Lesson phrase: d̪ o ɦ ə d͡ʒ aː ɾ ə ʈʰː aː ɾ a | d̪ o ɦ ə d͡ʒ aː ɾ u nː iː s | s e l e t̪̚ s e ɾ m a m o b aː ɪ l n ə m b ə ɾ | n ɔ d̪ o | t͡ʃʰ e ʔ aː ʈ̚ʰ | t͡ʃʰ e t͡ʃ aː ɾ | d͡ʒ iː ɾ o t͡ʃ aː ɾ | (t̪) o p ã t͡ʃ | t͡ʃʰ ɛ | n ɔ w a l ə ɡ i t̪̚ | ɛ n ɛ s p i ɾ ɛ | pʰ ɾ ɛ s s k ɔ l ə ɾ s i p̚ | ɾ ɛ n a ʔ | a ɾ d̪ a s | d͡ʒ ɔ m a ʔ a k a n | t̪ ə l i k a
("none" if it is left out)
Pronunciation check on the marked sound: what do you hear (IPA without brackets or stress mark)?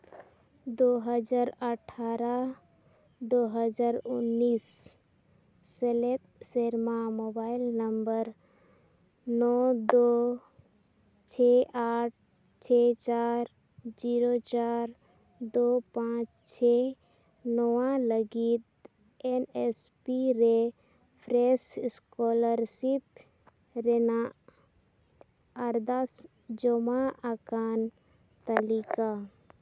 d̪